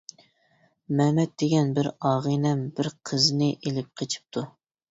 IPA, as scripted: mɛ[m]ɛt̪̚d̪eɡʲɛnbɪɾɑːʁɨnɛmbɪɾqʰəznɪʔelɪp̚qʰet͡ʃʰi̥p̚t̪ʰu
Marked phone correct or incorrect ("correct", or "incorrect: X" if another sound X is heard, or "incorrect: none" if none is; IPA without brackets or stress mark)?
correct